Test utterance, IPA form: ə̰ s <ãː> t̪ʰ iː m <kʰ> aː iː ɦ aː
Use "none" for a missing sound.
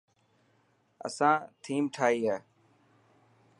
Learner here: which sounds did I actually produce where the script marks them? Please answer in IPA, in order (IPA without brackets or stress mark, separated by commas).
ãː, ʈʰ